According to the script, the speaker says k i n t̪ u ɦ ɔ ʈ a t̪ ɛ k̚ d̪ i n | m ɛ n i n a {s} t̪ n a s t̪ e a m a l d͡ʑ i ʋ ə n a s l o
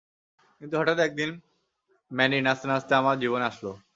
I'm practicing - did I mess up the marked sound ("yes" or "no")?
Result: no